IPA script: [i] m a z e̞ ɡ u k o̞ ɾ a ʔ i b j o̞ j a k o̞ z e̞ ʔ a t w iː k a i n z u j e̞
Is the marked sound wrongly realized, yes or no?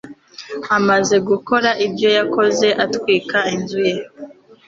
yes